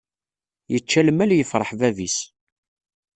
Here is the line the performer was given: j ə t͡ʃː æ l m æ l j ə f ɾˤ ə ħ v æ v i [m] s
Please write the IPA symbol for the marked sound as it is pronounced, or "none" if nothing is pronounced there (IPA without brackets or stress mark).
none